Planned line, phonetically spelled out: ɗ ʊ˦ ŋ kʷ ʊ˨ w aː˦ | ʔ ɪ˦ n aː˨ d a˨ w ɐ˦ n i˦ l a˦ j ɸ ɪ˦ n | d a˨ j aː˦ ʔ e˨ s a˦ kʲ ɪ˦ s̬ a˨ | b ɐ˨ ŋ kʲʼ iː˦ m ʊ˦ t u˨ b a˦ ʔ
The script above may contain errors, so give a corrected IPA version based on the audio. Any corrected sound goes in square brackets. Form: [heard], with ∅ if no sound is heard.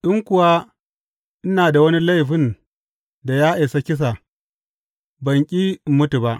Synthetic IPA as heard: ɗ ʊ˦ ŋ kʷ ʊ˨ w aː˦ | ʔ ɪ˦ n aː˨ d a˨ w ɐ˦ n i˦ l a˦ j ɸ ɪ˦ n | d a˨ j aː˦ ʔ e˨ s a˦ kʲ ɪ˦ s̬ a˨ | b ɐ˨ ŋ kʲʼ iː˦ m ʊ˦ t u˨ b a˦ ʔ